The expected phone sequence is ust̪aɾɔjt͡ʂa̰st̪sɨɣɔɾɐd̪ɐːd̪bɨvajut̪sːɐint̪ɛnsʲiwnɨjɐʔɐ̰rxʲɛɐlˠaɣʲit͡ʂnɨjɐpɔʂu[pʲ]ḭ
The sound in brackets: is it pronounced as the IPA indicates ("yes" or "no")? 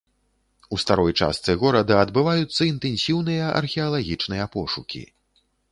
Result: no